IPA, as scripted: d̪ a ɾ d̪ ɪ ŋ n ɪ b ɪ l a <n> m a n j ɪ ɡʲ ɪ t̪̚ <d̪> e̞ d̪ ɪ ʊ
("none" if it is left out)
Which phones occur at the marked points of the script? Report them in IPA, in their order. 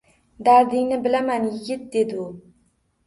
none, d̪

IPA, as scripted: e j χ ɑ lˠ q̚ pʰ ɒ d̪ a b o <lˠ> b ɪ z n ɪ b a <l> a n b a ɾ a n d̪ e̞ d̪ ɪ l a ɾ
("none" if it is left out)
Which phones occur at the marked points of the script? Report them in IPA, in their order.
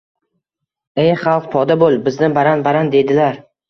lˠ, ɾ

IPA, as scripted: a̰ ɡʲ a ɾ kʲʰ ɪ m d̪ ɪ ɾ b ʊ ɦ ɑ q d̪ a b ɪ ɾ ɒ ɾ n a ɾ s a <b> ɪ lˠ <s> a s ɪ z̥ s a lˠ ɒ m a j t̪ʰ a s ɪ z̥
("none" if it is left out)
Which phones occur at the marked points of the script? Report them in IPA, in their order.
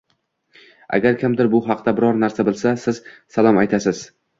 b, s

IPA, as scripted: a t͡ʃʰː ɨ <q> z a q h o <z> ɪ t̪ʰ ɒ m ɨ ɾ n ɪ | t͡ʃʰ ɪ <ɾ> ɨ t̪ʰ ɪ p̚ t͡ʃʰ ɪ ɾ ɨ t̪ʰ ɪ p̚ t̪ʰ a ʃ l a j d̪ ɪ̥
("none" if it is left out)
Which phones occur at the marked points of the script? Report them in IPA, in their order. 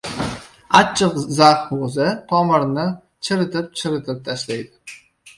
q, z, ɾ

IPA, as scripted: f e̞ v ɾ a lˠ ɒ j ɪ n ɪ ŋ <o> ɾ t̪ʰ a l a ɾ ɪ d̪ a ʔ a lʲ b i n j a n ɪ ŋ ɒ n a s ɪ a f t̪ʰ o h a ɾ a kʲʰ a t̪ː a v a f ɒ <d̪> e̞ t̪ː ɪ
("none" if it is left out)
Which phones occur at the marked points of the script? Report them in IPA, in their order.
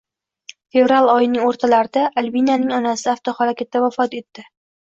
o, t̪

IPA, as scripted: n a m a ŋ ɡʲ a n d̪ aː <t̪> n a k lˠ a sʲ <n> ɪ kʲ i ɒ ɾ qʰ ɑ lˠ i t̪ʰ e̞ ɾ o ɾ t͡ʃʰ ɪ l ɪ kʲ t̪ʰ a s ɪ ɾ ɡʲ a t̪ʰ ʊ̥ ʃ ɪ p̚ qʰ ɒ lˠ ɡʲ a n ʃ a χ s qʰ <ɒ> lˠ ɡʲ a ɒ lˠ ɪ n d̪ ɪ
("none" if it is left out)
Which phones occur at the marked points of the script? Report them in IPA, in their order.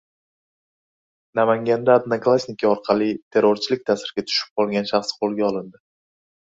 d̪, n, o

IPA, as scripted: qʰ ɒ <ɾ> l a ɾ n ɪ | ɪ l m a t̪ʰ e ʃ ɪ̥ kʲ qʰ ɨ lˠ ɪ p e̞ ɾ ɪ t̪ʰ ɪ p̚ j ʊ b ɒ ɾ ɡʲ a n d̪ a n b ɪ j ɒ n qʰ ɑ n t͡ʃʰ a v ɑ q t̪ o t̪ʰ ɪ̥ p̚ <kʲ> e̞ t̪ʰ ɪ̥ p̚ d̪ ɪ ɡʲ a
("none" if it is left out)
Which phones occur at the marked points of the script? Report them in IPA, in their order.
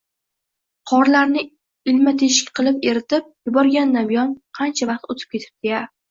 ɾ, kʲ

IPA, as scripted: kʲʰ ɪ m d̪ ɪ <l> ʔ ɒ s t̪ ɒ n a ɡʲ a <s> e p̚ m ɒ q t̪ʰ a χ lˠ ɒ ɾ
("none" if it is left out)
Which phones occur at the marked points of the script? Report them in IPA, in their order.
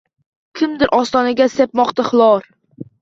ɾ, s

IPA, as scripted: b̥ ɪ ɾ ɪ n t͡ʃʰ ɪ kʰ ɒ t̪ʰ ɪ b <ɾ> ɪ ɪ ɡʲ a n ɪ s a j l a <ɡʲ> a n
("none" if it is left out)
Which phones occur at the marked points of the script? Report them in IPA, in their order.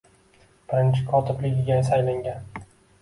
l, ŋʲ

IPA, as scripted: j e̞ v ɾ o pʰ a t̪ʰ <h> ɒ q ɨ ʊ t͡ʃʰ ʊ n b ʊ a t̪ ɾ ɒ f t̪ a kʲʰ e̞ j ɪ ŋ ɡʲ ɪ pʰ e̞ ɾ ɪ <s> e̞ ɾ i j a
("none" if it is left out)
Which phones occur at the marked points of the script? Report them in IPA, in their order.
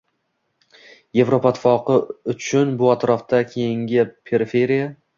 f, f

